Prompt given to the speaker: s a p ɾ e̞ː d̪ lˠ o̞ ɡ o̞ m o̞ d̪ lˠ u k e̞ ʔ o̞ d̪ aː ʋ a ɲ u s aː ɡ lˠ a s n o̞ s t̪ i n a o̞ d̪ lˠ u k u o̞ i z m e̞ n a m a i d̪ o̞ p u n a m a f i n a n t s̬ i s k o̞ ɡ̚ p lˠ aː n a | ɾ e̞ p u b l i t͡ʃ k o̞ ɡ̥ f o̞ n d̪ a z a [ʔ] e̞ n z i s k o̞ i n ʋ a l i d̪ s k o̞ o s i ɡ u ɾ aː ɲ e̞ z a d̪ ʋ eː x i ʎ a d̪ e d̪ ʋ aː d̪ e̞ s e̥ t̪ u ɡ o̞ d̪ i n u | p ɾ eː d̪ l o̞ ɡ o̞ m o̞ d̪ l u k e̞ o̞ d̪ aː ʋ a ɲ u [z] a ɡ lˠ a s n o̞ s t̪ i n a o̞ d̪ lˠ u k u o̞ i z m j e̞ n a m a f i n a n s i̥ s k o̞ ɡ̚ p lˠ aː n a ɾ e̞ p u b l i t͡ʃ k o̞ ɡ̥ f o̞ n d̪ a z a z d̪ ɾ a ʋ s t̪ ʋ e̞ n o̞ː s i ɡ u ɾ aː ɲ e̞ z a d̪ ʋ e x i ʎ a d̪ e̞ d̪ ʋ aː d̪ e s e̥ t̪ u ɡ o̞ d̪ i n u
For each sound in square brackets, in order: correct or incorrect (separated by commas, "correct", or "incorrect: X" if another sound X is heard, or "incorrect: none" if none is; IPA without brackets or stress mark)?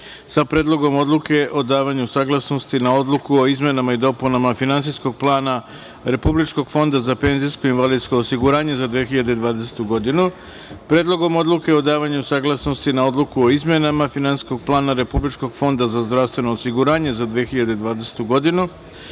incorrect: p, incorrect: s